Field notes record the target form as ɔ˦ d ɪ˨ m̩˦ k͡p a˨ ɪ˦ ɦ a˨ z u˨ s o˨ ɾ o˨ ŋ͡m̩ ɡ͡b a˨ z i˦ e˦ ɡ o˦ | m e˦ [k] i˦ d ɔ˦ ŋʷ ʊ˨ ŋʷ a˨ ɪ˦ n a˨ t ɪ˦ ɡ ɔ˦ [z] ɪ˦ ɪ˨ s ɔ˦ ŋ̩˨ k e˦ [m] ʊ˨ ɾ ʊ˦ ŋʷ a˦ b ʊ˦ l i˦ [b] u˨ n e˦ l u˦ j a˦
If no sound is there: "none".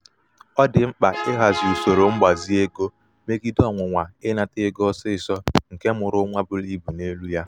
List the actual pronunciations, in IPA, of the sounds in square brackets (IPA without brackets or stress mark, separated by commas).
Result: ɡ, s, m, b